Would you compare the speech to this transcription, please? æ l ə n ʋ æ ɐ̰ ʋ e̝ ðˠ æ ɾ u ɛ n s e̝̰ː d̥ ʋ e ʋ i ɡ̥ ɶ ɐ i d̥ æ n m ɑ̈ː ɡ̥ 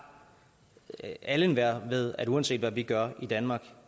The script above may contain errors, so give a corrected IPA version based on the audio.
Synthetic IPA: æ l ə n ʋ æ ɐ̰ ʋ e̝ ðˠ æ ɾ u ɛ n s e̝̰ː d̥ ʋ æ ʋ i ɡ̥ ɶ ɐ i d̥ æ n m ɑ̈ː ɡ̥

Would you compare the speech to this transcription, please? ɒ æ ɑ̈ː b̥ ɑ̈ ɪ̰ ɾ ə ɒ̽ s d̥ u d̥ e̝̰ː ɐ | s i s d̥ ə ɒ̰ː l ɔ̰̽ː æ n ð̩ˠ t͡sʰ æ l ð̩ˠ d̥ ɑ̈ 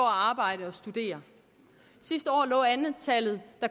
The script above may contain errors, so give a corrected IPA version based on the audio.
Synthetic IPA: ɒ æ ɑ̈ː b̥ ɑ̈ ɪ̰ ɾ ə ɒ̽ s d̥ u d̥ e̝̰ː ɐ | s i s d̥ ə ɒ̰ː l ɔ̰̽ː æ n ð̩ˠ t͡sʰ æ l ð̩ˠ d̥ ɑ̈

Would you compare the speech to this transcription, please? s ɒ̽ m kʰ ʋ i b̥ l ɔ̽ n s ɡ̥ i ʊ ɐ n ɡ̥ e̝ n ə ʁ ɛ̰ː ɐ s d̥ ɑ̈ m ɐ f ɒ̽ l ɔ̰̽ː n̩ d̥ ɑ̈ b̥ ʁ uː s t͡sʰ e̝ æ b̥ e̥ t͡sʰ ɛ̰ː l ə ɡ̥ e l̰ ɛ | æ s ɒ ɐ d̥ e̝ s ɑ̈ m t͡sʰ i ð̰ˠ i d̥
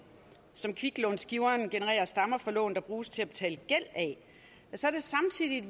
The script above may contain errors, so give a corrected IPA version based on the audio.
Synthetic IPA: s ɒ̽ m kʰ ʋ i ɡ̥ l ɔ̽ n s ɡ̥ i ʊ ɐ n ɡ̥ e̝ n ə ʁ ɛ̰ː ɐ s d̥ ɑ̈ m ɐ f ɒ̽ l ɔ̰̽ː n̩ d̥ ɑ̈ b̥ ʁ uː s t͡sʰ e̝ æ b̥ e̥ t͡sʰ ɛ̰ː l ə ɡ̥ e l̰ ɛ | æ s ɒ ɐ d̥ e̝ s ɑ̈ m t͡sʰ i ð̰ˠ i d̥

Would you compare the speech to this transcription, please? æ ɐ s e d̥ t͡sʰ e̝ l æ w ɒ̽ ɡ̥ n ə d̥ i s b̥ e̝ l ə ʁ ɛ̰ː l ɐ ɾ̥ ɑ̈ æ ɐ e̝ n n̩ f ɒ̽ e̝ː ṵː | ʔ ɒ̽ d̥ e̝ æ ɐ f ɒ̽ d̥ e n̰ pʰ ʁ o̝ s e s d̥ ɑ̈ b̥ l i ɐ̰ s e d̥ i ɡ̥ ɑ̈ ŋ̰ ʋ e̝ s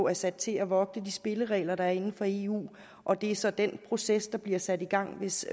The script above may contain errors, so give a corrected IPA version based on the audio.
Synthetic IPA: æ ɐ s æ d̥ t͡sʰ e̝ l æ ʋ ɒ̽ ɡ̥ n ə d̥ i s b̥ e̝ l ə ʁ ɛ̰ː l ɐ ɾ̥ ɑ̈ æ ɐ e̝ n n̩ f ɒ̽ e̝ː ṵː | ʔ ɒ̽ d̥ e̝ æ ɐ s ɒ̽ d̥ e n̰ pʰ ʁ o̝ s e s d̥ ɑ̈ b̥ l i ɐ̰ s æ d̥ i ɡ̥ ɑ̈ ŋ̰ ʋ e̝ s

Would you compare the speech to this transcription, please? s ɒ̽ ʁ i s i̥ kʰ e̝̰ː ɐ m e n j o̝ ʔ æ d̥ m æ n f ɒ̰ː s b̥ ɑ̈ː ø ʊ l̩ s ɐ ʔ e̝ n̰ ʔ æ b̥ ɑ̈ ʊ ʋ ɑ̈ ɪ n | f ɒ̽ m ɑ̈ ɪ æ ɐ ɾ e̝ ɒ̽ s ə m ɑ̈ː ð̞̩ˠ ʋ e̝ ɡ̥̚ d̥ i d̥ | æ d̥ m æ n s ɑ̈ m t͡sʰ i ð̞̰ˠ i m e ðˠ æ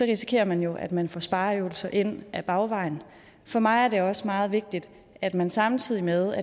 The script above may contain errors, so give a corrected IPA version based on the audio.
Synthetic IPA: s ɒ̽ ʁ i s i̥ kʰ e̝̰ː ɐ m æ n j o̝ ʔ æ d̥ m æ n f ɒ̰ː s b̥ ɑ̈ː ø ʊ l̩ s ɐ ʔ e̝ n̰ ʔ æ b̥ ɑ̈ ʊ ʋ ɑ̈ ɪ n | f ɒ̽ m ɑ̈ ɪ æ ɐ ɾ e̝ ɒ̽ s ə m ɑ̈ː ð̞̩ˠ ʋ e̝ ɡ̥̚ d̥ i d̥ | æ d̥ m æ n s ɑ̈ m t͡sʰ i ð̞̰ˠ i m e ðˠ æ

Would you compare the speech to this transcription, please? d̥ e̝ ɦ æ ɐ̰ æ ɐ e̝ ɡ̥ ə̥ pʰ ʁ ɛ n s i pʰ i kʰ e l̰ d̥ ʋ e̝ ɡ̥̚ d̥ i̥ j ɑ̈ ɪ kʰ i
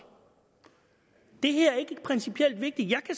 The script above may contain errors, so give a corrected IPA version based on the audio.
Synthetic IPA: d̥ e̝ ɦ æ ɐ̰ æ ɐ e̝ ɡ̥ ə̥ pʰ ʁ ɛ n s i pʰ i e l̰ d̥ ʋ e̝ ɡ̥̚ d̥ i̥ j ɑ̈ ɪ kʰ æ

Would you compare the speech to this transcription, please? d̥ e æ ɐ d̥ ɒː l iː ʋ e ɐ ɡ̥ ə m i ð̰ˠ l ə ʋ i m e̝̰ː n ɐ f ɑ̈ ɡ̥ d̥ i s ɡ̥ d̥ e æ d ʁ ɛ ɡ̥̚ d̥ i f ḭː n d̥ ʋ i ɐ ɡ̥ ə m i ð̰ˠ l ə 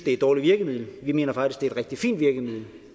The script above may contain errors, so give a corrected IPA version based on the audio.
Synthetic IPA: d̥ e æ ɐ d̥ ɒː l i ʋ i ɐ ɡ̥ ə m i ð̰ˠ l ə ʋ i m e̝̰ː n ɐ f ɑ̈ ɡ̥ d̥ i s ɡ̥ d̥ e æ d ʁ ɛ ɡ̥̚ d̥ i f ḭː n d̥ ʋ i ɐ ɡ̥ ə m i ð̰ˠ l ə

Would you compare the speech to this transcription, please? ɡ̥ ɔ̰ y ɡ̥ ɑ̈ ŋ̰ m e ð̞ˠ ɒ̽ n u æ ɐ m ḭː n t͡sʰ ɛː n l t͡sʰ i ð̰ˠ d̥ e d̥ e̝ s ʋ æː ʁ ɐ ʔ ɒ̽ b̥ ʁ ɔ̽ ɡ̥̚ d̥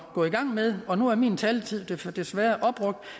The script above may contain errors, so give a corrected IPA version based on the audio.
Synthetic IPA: ɡ̥ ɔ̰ i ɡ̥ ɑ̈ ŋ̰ m e ð̞ˠ ɒ̽ n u æ ɐ m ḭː n t͡sʰ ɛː l t͡sʰ i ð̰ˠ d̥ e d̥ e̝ s ʋ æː ɐ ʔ ɒ̽ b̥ ʁ ɔ̽ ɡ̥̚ d̥

